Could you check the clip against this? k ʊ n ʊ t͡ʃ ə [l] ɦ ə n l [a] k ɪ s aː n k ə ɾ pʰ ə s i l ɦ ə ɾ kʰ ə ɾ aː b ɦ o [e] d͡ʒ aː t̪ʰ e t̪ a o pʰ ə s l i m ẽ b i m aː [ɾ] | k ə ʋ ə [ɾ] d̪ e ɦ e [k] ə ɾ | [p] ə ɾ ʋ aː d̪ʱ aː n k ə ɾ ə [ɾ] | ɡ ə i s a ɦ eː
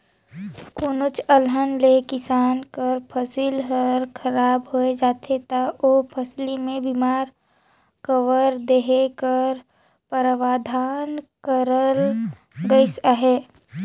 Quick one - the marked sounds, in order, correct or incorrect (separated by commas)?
correct, incorrect, correct, correct, correct, correct, correct, incorrect